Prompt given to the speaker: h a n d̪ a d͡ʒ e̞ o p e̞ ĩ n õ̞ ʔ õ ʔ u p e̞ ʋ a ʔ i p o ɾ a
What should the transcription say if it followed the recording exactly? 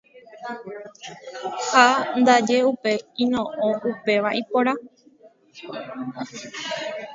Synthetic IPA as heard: h a n d̪ a d͡ʒ e̞ u p e̞ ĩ n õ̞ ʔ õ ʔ u p e̞ ʋ a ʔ i p o ɾ a